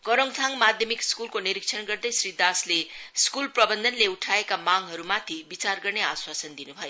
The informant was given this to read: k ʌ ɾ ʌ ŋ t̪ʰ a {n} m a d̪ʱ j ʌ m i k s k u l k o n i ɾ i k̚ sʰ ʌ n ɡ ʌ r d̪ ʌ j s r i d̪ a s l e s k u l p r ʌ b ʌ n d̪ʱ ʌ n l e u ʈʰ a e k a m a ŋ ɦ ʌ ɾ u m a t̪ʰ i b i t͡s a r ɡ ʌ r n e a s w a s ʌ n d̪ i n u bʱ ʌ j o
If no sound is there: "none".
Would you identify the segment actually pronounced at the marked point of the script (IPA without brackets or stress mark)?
ŋ